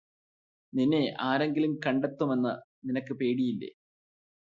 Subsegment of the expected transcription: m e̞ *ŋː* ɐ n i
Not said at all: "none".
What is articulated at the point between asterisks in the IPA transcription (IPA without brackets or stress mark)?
nː